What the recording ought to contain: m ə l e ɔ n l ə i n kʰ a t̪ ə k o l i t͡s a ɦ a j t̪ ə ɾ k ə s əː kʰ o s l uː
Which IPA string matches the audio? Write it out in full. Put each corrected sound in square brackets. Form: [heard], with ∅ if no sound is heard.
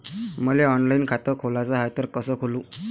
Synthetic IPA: m ə l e ɔ n l [a] i n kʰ a t̪ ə [kʰ] o l [a] t͡s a ɦ a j t̪ ə ɾ k ə s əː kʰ o [∅] l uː